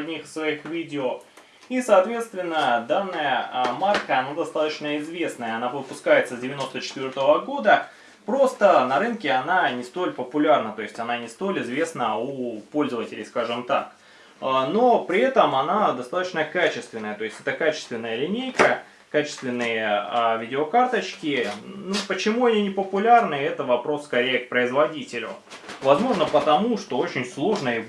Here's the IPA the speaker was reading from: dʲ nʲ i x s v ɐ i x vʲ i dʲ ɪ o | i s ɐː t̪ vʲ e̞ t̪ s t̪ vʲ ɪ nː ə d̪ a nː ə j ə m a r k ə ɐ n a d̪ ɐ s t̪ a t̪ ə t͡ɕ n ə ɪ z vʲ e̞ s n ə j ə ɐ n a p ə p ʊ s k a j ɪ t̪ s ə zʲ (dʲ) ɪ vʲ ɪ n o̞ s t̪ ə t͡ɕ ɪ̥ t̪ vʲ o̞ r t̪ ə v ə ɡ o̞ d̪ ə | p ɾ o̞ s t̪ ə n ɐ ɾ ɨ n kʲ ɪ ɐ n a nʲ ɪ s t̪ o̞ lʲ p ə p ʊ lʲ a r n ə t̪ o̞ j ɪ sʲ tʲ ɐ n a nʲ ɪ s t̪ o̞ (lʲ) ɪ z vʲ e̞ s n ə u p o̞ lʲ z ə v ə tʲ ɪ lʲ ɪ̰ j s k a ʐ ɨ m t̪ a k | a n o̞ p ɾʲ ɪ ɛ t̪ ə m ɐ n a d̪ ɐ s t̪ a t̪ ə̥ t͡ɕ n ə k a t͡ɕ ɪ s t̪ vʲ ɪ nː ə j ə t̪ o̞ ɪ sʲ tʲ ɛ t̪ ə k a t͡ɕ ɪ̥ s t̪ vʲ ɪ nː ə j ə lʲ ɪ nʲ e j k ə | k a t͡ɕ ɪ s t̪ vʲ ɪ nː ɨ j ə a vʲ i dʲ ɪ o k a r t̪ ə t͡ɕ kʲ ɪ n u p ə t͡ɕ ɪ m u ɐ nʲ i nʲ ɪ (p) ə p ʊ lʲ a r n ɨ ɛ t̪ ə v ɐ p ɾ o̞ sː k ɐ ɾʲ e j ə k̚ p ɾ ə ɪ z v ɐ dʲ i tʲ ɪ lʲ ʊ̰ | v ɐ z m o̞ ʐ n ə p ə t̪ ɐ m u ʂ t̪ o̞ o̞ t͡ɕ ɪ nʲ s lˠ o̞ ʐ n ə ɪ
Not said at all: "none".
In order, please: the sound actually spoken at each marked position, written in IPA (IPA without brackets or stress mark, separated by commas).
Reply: dʲ, lʲ, p